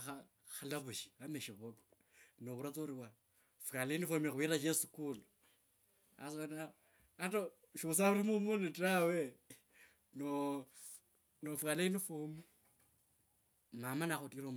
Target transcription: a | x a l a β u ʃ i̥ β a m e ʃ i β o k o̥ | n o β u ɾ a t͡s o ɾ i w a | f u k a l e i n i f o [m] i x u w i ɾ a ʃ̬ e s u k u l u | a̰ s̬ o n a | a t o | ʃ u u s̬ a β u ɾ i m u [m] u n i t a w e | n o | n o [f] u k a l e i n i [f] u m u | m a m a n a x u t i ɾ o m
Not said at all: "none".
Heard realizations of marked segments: m, m, f, f

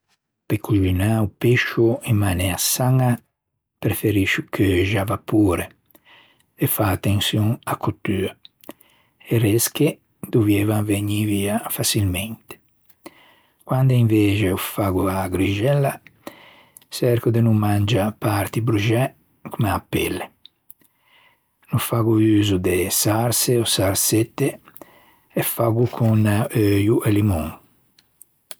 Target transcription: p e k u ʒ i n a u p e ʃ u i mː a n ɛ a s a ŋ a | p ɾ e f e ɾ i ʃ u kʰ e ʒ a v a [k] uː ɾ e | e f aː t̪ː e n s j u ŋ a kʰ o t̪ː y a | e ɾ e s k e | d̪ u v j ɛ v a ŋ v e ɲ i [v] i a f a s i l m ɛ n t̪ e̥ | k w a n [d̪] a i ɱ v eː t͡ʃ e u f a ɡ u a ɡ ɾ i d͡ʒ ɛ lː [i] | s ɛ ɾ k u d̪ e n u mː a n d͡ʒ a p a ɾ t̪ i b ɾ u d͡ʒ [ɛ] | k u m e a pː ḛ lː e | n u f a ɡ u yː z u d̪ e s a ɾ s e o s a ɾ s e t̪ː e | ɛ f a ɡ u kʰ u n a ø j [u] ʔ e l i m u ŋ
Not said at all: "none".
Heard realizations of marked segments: p, v, d̪, a, ɛ, u

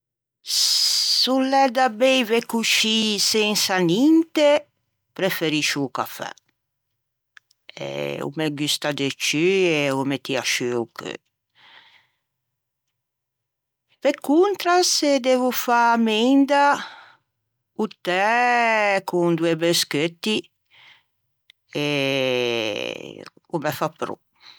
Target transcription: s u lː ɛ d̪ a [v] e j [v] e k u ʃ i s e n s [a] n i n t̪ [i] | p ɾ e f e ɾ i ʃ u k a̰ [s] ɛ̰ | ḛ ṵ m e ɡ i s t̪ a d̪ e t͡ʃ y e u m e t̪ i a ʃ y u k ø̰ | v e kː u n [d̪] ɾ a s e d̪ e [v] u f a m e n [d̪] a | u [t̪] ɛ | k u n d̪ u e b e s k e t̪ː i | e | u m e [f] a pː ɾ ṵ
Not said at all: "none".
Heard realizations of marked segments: b, v, a, e, f, t̪, v, d̪, t̪, f

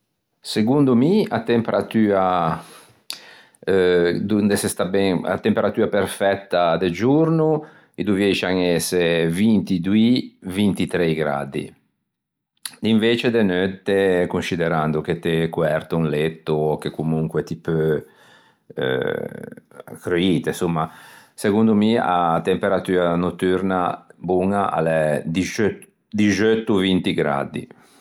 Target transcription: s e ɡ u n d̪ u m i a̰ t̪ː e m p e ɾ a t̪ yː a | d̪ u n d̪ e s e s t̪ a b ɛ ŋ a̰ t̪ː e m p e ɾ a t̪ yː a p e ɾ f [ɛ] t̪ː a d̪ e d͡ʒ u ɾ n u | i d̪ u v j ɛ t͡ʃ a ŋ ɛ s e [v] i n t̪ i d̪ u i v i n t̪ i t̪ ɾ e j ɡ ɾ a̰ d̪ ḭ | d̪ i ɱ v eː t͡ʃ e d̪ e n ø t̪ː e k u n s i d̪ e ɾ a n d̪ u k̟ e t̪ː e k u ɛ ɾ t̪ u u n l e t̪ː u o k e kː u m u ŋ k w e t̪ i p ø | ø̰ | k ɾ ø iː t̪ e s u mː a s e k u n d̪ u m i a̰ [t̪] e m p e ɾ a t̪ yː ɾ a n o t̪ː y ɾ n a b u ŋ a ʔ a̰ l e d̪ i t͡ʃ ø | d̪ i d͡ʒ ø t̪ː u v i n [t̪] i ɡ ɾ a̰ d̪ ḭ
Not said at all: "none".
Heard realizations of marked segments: ɛ, v, t̪, t̪

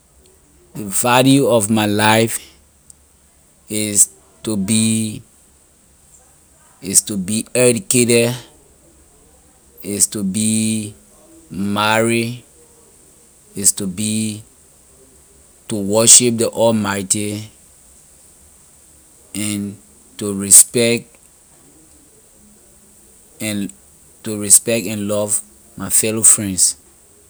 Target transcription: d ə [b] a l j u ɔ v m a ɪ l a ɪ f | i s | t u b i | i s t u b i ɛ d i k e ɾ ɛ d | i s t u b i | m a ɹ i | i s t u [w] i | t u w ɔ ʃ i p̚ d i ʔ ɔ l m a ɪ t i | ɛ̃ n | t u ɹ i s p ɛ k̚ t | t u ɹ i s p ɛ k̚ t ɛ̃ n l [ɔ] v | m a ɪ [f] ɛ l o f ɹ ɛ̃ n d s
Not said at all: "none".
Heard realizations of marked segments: v, b, ɔ, f

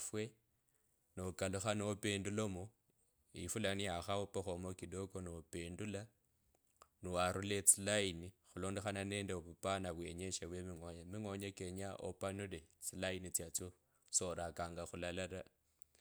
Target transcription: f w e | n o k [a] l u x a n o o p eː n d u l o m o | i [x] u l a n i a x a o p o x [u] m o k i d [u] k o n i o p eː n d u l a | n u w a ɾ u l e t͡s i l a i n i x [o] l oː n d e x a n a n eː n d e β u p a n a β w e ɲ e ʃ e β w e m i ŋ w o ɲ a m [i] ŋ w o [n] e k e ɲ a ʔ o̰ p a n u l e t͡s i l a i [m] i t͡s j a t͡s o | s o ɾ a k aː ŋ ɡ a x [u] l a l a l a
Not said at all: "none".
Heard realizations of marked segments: a, f, o, o, u, i, ɲ, n, u

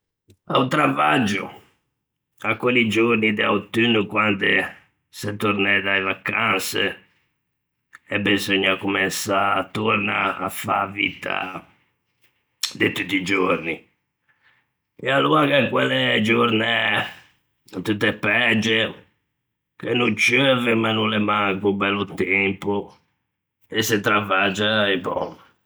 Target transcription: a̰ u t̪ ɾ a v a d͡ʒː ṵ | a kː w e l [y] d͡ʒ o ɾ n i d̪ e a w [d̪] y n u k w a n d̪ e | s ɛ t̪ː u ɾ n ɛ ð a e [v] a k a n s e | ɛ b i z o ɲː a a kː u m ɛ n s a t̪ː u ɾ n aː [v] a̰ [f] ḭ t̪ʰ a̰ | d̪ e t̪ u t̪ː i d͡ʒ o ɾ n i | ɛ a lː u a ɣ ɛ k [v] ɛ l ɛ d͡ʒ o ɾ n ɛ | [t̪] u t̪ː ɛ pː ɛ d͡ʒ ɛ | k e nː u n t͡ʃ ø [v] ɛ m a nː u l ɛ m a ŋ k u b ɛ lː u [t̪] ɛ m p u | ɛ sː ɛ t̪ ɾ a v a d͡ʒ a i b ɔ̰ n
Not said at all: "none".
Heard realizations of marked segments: i, t̪, v, f, v, w, t̪, v, t̪

